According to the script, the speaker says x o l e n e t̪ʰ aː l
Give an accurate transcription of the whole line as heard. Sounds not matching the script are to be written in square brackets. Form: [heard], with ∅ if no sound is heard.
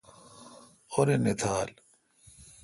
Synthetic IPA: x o [ɾ] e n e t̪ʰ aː l